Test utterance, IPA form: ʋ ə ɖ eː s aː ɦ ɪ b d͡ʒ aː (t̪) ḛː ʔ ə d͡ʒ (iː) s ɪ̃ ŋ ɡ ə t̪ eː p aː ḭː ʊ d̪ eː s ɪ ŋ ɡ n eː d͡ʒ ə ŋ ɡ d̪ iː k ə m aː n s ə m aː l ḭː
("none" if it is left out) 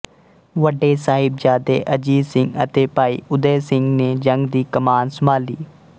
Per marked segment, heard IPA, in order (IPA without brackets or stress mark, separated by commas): d̪, iː